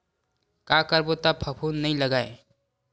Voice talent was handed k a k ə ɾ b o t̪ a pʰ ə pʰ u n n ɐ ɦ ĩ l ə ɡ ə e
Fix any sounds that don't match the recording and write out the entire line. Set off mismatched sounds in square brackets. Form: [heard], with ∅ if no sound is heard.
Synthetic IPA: k a k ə ɾ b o t̪ a pʰ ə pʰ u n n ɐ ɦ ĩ l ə ɡ [a] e